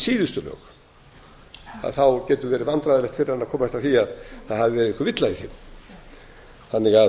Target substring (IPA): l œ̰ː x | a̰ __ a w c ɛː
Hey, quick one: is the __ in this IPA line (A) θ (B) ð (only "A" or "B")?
A